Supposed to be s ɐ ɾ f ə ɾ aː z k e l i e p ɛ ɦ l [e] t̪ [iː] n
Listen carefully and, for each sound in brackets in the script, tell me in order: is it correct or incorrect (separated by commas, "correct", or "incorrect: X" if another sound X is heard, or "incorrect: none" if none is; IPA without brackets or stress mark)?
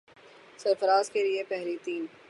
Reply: incorrect: i, correct